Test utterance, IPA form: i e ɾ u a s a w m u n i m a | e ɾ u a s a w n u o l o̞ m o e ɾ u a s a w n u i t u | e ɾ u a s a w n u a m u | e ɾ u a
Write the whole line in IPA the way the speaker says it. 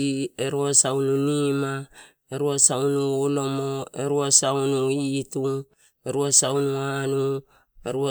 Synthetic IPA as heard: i e ɾ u a s a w n u n i m a | e ɾ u a s a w n u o l o̞ m o e ɾ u a s a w n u i t u | e ɾ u a s a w n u a n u | e ɾ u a